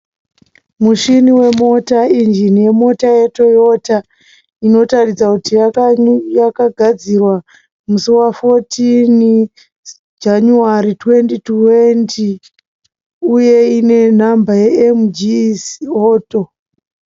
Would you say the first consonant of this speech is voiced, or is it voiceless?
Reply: voiced